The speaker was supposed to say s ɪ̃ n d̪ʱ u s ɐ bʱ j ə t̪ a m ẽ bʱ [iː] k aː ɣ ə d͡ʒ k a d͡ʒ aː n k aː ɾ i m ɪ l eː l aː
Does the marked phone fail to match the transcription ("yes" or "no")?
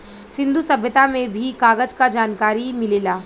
yes